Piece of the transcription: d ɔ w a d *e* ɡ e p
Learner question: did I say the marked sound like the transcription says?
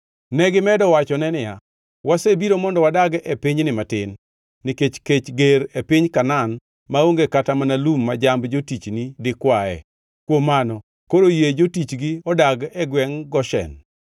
no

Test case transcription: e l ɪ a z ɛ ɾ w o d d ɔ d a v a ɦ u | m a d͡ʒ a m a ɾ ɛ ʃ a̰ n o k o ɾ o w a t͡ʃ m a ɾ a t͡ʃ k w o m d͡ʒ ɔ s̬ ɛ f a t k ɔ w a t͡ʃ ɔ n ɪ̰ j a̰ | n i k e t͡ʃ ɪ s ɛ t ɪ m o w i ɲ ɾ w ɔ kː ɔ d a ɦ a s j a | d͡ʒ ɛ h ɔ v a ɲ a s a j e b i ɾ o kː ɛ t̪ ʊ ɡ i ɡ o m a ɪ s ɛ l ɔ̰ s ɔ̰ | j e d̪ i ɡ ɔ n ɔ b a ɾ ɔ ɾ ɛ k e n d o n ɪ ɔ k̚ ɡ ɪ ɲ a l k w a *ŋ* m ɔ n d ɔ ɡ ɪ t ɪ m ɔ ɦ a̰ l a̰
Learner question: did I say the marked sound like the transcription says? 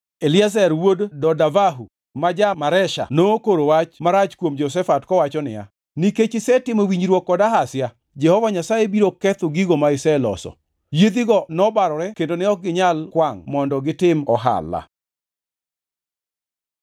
yes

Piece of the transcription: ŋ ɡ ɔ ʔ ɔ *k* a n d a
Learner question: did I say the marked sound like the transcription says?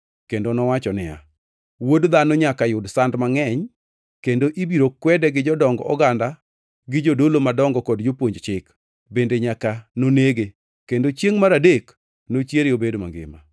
no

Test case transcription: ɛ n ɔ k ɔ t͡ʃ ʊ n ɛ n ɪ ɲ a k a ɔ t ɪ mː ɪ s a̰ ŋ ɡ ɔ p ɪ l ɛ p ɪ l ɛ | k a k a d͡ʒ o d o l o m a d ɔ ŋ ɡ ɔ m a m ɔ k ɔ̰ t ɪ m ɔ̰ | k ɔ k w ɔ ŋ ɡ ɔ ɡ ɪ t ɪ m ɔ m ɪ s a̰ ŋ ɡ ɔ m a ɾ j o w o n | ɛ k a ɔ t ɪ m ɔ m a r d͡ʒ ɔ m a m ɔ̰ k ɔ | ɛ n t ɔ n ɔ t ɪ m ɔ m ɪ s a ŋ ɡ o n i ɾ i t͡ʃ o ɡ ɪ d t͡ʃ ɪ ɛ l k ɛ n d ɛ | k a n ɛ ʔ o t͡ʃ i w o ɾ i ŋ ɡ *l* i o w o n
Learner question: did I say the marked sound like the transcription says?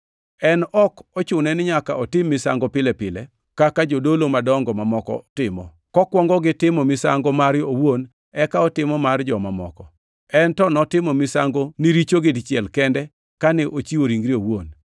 no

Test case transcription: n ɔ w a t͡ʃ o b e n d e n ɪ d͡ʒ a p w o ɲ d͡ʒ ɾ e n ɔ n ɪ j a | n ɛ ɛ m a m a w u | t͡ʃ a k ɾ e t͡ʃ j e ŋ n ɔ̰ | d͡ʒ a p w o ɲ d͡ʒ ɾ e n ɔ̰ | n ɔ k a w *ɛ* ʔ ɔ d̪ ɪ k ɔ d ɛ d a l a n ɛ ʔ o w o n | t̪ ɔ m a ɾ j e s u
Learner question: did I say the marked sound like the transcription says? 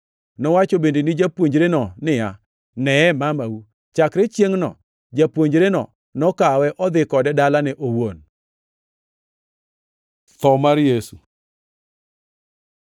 yes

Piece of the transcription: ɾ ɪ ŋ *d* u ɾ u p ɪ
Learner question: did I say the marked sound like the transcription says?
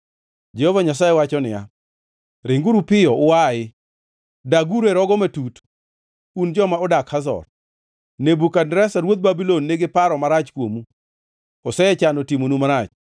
no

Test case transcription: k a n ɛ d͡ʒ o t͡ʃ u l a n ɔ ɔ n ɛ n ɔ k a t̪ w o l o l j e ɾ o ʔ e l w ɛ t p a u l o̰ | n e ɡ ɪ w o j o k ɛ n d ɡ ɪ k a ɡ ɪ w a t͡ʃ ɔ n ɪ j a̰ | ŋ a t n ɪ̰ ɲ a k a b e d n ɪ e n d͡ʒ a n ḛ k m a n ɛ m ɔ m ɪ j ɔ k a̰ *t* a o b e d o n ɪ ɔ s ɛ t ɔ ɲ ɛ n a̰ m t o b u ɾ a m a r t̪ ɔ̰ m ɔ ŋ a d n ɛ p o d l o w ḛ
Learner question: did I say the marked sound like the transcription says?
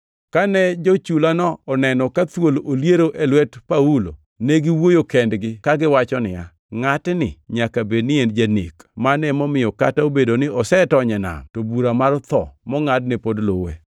yes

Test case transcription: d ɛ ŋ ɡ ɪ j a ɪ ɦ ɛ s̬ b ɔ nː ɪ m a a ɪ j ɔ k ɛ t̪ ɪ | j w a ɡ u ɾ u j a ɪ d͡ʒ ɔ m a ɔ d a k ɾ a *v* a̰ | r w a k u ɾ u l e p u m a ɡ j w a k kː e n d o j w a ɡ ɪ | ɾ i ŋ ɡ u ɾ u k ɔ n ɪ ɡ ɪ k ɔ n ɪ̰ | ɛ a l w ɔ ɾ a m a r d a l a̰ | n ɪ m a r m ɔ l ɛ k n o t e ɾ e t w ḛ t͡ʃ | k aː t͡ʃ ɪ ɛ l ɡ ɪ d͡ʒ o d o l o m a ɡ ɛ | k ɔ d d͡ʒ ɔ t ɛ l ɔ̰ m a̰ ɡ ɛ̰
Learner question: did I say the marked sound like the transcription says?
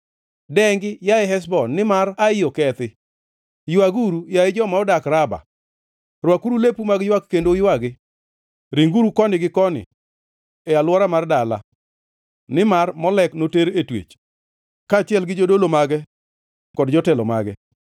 no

